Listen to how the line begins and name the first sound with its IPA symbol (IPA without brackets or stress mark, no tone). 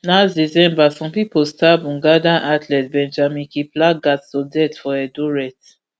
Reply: n